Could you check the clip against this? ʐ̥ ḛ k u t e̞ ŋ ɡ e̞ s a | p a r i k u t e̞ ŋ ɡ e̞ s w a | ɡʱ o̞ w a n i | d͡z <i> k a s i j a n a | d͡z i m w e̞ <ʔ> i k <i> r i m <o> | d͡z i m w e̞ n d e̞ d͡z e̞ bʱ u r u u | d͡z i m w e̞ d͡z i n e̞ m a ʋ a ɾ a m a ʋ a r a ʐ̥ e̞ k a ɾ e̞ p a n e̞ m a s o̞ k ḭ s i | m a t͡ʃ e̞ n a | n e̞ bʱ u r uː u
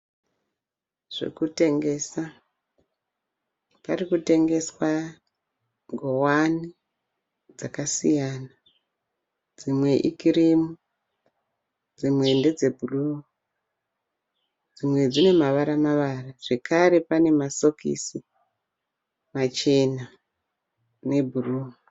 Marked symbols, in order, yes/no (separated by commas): no, yes, yes, no